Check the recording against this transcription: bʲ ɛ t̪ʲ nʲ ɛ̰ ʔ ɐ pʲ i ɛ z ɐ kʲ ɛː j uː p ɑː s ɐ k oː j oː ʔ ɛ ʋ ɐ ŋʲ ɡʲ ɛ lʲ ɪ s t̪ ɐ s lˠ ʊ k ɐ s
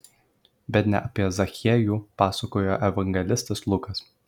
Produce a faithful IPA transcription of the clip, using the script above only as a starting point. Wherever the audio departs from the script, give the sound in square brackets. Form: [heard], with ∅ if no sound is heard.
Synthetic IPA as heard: bʲ ɛ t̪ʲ nʲ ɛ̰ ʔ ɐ pʲ i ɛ z ɐ [xʲ] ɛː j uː p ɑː s ɐ k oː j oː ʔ ɛ ʋ ɐ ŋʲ ɡʲ ɛ lʲ ɪ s t̪ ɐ s lˠ ʊ k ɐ s